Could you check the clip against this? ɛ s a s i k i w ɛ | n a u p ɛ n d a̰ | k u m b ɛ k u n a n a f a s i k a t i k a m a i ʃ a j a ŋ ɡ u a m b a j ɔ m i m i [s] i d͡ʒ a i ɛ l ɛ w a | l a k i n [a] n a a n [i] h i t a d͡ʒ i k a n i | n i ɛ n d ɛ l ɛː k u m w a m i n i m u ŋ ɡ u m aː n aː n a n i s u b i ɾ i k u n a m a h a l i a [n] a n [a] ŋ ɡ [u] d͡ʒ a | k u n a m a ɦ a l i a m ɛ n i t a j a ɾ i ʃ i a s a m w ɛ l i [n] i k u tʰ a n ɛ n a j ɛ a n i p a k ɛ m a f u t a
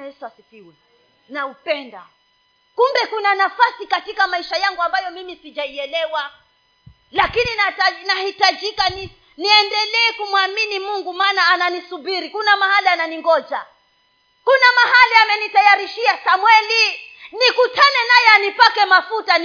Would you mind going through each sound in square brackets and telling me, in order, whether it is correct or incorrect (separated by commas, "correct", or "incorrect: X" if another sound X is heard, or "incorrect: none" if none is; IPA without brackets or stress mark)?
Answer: correct, incorrect: i, incorrect: a, correct, incorrect: i, incorrect: ɔ, correct